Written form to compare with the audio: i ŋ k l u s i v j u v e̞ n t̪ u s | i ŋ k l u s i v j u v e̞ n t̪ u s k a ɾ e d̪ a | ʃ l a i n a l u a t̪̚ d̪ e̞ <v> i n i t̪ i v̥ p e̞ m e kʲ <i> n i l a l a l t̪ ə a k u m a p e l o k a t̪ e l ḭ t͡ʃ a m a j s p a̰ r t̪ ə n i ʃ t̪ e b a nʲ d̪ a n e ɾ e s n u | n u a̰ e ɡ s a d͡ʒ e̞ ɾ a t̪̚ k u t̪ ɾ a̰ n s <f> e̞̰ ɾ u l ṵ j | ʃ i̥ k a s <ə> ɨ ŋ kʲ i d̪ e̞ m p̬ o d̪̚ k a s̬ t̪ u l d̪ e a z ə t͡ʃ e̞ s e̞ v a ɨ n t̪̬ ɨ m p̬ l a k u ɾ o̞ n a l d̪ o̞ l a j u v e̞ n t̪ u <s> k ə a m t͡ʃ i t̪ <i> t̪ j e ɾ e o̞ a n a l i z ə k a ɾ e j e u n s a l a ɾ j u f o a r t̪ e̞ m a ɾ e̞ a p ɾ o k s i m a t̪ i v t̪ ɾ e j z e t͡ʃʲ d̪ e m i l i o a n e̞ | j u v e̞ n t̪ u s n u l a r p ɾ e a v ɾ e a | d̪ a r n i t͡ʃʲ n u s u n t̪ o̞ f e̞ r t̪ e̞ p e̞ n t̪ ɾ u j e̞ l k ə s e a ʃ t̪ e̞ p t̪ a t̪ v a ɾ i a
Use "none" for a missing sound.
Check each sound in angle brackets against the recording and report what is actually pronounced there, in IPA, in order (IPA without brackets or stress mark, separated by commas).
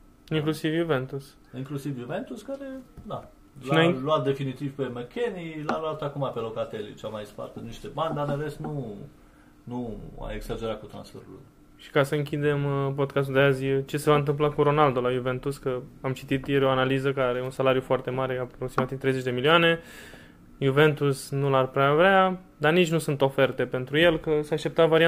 f, e, f, ə, s, i